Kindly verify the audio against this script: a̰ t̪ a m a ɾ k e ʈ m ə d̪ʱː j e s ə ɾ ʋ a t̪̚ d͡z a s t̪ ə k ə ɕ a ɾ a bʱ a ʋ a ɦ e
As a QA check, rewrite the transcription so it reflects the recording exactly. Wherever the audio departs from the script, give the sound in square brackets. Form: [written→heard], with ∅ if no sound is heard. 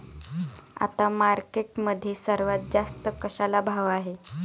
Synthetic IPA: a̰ t̪ a m a ɾ k e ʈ m ə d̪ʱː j e s ə ɾ ʋ a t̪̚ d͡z a s t̪ ə k ə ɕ a [ɾ→l] a bʱ a ʋ a ɦ e